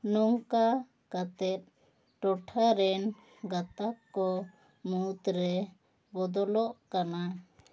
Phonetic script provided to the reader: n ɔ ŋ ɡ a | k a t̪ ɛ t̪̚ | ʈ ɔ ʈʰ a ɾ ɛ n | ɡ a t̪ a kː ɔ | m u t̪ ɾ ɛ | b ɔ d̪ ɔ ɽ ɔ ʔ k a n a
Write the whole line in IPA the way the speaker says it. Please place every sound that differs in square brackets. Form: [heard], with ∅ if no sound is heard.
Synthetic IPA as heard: n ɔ ŋ [k] a | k a t̪ ɛ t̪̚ | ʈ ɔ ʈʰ a ɾ ɛ n | ɡ a t̪ a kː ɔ | m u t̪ ɾ ɛ | b ɔ d̪ ɔ [l] ɔ ʔ k a n a